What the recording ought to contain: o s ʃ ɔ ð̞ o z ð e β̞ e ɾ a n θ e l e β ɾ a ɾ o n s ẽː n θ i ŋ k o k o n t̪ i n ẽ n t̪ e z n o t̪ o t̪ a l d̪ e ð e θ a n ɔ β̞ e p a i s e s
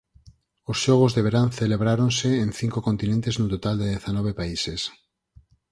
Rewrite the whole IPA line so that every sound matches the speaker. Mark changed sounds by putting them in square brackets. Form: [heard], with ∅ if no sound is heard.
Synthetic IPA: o s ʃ ɔ [ɣ̞] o z ð e β̞ e ɾ a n θ e l e β ɾ a ɾ o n s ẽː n θ i ŋ k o k o n t̪ i n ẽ n t̪ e z n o t̪ o t̪ a l d̪ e ð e θ a n ɔ β̞ e p a i s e s